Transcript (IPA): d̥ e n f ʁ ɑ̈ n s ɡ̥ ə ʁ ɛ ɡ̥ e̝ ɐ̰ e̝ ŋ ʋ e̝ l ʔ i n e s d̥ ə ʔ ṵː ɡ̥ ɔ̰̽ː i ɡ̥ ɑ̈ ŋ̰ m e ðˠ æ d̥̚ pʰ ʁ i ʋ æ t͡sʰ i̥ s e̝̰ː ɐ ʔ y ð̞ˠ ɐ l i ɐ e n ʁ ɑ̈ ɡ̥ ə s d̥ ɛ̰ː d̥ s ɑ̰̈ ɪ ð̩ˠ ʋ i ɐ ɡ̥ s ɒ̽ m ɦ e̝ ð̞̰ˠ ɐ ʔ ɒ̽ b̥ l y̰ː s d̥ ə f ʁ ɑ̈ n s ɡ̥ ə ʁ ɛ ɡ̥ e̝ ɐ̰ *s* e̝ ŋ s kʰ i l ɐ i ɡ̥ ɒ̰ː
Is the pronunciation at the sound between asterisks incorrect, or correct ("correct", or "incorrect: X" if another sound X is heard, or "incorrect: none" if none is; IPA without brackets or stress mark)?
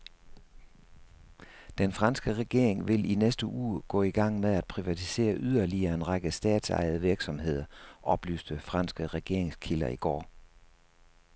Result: incorrect: none